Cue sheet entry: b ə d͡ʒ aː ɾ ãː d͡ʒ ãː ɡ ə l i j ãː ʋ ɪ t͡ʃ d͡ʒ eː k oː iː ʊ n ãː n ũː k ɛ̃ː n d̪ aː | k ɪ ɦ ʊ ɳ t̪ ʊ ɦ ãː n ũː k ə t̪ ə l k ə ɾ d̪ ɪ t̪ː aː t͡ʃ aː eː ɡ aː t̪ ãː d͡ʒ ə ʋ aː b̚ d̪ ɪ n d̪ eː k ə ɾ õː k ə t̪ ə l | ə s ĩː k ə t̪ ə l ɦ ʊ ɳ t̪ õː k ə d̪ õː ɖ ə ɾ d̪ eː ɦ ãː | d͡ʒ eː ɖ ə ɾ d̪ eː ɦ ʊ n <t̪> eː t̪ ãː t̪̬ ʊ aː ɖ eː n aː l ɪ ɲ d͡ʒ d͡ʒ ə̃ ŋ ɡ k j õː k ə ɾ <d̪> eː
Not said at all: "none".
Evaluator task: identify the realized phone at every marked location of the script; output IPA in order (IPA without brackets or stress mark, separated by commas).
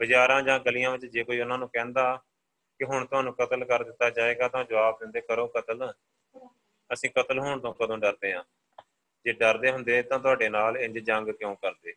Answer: d̪, d̪